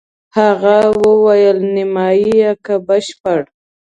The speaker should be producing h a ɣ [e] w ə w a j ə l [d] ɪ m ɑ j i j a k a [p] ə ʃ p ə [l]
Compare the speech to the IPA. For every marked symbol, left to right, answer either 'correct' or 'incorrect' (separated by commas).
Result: incorrect, incorrect, incorrect, incorrect